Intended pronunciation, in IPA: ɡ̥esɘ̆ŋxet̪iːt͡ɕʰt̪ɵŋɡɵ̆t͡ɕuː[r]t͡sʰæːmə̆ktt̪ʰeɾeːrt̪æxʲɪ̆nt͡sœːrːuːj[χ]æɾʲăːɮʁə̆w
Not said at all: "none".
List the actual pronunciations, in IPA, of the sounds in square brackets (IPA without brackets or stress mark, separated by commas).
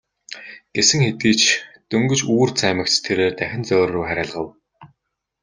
r, χ